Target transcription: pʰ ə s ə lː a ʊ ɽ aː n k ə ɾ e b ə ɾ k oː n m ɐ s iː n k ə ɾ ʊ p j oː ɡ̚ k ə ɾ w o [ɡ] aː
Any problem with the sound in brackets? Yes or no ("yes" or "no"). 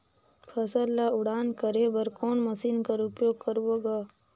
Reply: no